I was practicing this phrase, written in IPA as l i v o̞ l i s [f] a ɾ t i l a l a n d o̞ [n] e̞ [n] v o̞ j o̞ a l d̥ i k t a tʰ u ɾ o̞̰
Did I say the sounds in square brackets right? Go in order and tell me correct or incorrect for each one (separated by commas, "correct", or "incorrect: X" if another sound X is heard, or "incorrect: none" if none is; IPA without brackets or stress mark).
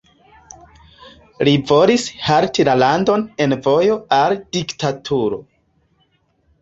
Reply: incorrect: h, correct, correct